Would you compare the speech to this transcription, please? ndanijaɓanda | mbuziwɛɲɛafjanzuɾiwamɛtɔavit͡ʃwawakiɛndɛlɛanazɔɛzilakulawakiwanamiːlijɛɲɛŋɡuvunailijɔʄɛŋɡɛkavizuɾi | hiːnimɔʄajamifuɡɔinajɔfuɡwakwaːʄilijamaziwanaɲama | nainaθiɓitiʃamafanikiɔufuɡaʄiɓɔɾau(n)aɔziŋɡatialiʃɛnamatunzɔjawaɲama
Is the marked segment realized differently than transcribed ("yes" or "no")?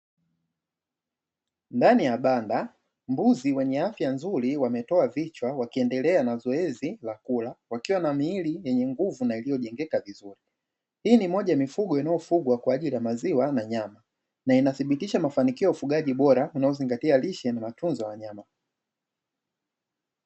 no